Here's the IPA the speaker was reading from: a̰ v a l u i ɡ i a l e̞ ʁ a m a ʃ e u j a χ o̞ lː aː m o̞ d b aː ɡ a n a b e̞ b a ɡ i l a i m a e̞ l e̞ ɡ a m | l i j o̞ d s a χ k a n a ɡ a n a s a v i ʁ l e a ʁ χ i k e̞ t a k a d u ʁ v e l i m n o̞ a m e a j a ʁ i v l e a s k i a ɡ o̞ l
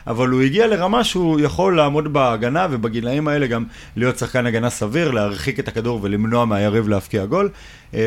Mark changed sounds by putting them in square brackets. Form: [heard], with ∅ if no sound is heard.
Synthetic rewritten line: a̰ v a l u i ɡ i a l e̞ ʁ a m a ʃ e u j a χ o̞ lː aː m o̞ d b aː ɡ a n a [v] e̞ b a ɡ i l a i m a e̞ l e̞ ɡ a m | l i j o̞ [t] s a χ k a n a ɡ a n a s a v i ʁ l e a ʁ χ i k e̞ t a k a d u ʁ v e l i m n o̞ a m e a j a ʁ i v l e a [f] k i a ɡ o̞ l